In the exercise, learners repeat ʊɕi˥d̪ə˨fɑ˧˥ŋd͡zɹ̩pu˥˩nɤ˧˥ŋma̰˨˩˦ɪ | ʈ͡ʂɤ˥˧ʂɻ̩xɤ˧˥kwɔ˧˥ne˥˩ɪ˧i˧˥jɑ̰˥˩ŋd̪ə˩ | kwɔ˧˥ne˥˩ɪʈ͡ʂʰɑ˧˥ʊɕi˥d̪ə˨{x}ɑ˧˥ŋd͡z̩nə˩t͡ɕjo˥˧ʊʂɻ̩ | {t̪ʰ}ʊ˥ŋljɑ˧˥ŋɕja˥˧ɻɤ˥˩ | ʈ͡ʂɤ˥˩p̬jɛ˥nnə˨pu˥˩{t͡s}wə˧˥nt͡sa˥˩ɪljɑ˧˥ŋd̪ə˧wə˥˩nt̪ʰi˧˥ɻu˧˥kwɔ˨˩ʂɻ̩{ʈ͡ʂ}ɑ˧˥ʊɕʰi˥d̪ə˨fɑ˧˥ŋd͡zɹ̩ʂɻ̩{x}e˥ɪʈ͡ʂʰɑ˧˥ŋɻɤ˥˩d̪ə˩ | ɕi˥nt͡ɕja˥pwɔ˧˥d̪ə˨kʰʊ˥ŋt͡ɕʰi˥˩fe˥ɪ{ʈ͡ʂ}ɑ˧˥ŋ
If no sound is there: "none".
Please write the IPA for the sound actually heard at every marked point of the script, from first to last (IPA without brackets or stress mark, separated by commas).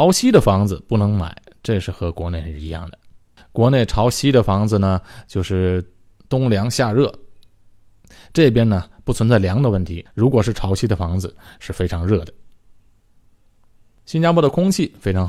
f, t̪, t͡sʰ, ʈ͡ʂʰ, f, ʈ͡ʂʰ